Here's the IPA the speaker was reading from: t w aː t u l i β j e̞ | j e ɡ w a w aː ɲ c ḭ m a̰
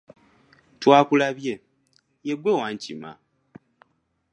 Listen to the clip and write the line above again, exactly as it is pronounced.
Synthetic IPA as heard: t w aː k u l a β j e̞ | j e ɡ w e w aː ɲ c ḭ m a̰